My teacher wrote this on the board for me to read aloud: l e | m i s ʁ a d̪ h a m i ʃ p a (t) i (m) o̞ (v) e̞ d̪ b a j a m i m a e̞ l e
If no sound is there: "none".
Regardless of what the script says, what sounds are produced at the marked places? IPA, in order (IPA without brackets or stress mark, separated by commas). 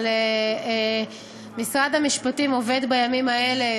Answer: t, m, v